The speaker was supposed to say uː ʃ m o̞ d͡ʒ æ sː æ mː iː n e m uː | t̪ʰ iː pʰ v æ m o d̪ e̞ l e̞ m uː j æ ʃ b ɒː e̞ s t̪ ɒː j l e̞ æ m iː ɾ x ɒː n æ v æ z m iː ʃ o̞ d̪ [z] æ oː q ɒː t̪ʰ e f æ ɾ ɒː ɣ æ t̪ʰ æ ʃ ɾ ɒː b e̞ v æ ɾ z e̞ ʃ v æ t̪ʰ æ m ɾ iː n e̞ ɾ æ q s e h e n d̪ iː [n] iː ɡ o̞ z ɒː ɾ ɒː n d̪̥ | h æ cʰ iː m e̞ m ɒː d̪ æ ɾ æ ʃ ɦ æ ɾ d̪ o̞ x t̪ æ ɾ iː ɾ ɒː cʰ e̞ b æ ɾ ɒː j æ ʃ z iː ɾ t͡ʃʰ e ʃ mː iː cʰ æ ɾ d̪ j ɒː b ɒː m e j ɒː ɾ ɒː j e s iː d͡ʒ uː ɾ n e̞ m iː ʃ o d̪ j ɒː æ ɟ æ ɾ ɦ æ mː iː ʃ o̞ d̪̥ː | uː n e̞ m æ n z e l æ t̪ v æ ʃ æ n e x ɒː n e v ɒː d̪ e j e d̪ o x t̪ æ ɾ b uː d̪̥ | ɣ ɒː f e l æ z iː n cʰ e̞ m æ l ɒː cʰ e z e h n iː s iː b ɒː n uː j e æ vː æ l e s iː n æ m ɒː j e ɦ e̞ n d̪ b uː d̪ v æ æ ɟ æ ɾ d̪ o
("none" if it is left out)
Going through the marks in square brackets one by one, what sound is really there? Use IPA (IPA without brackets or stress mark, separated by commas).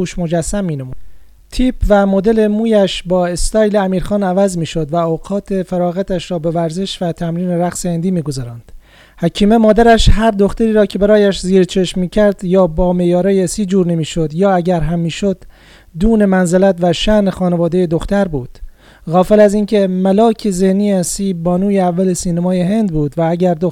v, m